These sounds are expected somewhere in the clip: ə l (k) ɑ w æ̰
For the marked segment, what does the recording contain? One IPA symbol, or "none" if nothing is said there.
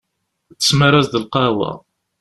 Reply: q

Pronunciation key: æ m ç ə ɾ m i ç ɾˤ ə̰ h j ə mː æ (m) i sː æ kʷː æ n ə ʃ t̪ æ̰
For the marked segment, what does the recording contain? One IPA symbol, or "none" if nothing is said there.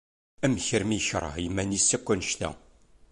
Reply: n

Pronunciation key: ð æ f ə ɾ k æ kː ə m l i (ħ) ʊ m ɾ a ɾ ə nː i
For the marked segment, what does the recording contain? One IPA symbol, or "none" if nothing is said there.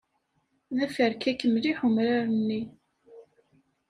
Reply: ħ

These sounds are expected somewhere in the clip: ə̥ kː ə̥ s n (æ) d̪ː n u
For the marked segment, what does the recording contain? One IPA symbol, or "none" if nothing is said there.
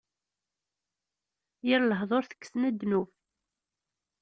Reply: æ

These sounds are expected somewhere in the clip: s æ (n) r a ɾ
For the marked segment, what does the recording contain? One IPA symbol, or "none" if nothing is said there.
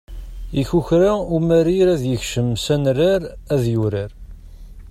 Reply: n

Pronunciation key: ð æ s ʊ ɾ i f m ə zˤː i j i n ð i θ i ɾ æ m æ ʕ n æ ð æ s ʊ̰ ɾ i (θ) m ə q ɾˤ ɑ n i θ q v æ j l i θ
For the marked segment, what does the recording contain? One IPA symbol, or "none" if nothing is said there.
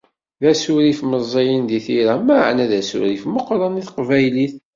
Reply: f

